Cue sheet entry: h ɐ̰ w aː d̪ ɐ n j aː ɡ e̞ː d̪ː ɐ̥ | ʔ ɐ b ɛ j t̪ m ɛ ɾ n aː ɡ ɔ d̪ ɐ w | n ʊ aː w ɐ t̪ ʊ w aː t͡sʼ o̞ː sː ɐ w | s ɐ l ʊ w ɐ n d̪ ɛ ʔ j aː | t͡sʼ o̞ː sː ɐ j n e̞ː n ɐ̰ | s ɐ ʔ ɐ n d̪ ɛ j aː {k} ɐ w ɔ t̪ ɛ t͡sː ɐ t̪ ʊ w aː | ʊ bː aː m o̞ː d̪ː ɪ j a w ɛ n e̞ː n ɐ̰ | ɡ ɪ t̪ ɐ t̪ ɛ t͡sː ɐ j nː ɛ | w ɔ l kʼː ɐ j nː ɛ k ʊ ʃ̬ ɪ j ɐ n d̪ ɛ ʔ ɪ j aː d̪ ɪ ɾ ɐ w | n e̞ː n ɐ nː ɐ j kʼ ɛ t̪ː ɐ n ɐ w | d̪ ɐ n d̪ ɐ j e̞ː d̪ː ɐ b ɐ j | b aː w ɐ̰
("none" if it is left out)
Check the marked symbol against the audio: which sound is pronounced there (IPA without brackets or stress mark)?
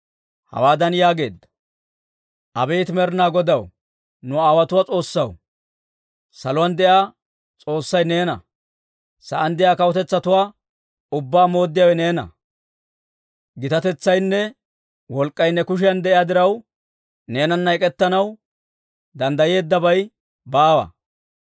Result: k